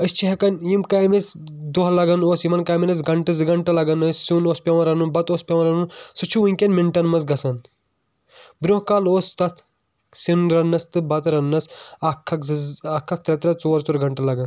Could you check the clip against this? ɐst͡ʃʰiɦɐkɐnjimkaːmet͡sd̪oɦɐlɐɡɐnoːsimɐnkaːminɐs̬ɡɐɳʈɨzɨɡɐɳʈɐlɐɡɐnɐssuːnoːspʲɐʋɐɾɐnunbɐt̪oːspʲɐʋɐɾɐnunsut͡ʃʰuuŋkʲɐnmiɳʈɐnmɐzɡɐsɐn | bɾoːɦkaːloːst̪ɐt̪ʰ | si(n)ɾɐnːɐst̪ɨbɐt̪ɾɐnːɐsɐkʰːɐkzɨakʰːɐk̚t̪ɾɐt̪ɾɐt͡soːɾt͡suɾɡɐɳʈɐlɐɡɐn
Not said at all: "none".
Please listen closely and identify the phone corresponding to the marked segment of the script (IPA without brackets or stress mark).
n